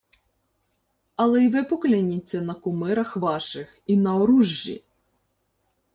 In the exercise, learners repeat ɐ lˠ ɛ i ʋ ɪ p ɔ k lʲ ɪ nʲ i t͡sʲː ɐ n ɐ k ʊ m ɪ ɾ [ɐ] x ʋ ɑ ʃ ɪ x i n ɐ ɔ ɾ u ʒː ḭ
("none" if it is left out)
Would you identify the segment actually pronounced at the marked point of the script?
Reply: ɐ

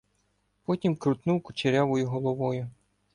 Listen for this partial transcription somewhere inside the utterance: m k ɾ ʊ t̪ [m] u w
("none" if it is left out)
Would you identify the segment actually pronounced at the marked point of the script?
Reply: n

